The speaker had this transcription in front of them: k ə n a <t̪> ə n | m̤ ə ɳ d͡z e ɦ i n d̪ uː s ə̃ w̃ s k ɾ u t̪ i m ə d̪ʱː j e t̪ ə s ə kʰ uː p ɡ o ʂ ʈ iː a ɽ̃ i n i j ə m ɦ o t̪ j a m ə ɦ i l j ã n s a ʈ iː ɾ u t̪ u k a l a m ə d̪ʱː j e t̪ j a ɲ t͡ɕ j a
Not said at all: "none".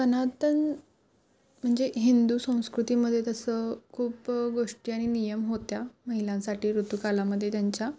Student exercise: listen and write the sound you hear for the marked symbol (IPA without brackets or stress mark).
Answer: t̪